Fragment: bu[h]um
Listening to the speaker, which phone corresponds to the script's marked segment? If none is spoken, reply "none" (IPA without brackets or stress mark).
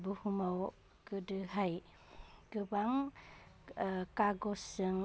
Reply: h